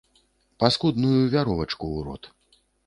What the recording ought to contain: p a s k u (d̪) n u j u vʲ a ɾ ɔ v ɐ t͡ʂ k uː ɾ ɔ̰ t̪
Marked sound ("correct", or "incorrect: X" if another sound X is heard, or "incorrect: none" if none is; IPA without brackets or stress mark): correct